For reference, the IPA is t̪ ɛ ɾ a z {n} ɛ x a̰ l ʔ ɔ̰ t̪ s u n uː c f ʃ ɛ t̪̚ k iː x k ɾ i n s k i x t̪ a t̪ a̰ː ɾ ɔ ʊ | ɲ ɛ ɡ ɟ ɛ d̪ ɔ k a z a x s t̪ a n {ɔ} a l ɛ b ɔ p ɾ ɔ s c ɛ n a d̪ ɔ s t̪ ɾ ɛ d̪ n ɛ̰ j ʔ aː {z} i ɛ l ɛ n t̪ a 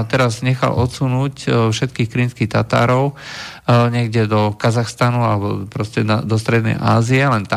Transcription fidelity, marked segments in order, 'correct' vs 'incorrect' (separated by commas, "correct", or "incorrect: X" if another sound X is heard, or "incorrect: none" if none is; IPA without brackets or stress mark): incorrect: ɲ, incorrect: u, correct